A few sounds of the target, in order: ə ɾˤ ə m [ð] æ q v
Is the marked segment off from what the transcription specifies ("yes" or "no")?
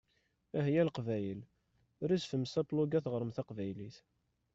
yes